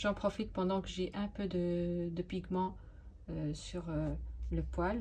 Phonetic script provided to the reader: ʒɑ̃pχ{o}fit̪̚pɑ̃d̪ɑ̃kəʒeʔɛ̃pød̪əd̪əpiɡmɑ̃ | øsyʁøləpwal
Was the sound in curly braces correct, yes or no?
no